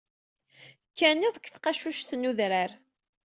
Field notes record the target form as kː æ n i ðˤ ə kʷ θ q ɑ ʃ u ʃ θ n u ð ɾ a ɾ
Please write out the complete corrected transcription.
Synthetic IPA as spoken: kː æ n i ðˤ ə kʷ θ q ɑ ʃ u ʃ θ n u ð ɾ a ɾ

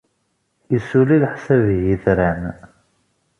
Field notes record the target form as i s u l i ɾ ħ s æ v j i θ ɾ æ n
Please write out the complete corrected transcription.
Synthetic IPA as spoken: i s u l i l ħ s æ v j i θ ɾ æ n

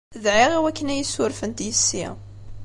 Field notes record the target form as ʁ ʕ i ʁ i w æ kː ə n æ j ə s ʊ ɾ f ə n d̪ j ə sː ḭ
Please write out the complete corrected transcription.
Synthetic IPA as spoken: ð ʕ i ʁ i w æ kː ə n æ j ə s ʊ ɾ f ə n t̪ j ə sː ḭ

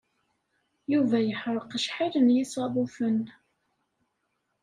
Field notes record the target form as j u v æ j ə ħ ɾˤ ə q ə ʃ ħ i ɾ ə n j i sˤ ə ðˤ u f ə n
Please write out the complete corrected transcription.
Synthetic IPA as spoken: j u v æ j ə ħ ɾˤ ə q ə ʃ ħ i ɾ ə n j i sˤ ɑ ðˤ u f ə n

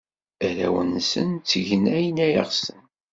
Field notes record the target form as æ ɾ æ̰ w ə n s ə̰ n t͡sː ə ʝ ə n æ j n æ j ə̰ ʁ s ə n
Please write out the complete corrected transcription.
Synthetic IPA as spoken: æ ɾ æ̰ w ə n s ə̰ n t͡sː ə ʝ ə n æ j n æ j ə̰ ʁ s ə n

